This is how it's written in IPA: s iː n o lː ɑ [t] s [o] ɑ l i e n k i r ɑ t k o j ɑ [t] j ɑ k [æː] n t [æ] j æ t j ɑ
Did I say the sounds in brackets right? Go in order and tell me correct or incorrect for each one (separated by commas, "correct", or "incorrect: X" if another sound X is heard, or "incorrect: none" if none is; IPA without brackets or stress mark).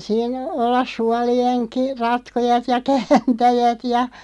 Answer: incorrect: s, incorrect: u, correct, correct, correct